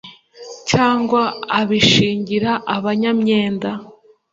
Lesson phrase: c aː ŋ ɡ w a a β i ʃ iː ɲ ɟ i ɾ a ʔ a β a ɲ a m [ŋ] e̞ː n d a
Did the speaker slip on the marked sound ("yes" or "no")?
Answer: yes